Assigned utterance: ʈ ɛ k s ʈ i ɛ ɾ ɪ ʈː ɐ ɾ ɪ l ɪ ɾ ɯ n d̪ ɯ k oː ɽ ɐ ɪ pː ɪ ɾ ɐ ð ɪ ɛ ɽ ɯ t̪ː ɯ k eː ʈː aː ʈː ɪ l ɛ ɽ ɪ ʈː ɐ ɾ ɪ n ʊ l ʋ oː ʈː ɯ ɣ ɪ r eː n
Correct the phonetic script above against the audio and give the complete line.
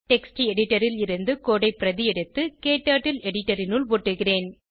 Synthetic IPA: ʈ ɛ k s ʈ i ɛ ɽ ɪ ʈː ɐ ɾ ɪ l ɪ ɾ ɯ n d̪ ɯ k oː ɽ ɐ ɪ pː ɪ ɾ ɐ ð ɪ ɛ ɽ ɯ t̪ː ɯ k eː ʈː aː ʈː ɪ l ɛ ɽ ɪ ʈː ɐ ɾ ɪ n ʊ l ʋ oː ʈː ɯ ɣ ɪ r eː n